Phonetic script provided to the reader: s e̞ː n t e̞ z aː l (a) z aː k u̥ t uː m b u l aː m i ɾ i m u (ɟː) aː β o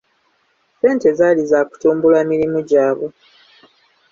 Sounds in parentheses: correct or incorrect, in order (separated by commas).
incorrect, incorrect